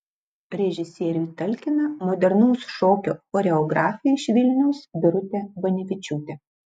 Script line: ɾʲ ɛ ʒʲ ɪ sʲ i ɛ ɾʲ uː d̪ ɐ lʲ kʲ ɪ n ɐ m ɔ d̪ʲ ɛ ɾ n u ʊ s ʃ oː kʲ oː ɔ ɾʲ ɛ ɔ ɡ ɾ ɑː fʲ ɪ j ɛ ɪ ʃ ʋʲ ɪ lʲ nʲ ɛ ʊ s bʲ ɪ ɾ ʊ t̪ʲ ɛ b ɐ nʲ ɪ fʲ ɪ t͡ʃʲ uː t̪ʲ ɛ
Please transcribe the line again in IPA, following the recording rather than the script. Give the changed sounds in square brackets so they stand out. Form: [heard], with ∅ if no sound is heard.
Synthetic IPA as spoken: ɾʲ ɛ ʒʲ ɪ sʲ i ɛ ɾʲ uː [t̪] ɐ lʲ kʲ ɪ n ɐ m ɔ d̪ʲ ɛ ɾ n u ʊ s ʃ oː kʲ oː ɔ ɾʲ ɛ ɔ ɡ ɾ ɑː fʲ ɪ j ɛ ɪ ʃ ʋʲ ɪ lʲ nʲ ɛ ʊ s bʲ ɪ ɾ ʊ t̪ʲ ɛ b ɐ nʲ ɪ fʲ ɪ t͡ʃʲ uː t̪ʲ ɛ